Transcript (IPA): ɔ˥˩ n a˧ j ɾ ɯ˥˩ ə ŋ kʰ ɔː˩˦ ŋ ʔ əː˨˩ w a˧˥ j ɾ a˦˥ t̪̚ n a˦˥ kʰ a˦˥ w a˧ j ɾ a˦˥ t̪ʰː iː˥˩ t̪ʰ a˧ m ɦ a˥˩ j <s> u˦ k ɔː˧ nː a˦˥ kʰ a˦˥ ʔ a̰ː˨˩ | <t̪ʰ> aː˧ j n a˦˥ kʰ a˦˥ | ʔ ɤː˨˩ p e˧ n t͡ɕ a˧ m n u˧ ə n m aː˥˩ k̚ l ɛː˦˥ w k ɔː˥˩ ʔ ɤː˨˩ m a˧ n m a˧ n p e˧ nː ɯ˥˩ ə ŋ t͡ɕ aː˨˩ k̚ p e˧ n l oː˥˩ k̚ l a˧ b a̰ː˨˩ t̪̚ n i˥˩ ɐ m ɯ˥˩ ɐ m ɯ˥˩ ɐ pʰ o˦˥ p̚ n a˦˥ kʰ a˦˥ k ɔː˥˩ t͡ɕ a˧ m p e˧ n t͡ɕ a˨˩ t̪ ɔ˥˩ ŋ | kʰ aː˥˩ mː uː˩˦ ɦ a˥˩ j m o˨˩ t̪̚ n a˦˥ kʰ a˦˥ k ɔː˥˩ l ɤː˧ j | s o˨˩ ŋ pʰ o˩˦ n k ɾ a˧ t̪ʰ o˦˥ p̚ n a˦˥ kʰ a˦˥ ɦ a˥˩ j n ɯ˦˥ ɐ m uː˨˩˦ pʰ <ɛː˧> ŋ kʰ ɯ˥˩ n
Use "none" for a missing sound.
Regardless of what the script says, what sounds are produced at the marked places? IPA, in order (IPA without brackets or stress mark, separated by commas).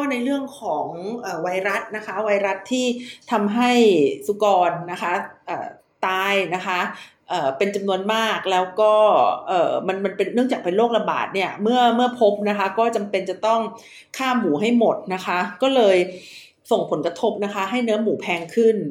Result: s, t̪, ɛː˧